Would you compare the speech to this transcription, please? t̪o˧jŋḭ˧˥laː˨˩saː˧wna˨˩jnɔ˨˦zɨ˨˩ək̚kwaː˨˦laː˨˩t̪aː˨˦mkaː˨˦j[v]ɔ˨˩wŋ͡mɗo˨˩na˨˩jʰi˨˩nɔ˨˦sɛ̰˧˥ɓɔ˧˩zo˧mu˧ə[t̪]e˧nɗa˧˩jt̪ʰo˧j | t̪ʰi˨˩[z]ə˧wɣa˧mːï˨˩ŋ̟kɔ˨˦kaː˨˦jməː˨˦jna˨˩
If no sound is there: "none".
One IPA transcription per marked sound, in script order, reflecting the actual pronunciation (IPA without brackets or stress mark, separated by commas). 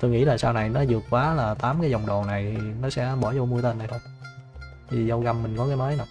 z, t̪, z